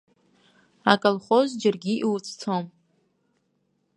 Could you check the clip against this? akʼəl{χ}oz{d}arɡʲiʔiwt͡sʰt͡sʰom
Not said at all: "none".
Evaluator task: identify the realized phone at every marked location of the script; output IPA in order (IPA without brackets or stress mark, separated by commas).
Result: χ, d͡ʒ